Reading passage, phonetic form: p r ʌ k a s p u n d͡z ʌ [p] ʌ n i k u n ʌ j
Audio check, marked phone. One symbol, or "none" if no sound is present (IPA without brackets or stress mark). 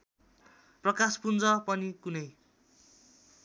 p